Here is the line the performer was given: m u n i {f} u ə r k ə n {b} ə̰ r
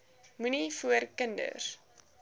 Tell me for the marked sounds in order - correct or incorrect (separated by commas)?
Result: correct, incorrect